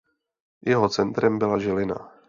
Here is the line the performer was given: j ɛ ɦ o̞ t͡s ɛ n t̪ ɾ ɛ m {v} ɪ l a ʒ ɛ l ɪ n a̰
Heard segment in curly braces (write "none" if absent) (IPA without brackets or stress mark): b